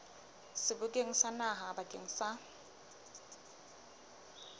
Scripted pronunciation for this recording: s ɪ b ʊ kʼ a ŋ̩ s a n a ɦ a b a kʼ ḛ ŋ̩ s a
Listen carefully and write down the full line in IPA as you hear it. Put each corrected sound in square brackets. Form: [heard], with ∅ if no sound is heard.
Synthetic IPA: s ɪ b ʊ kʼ [e] ŋ̩ s a n a ɦ a b a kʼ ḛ ŋ̩ s a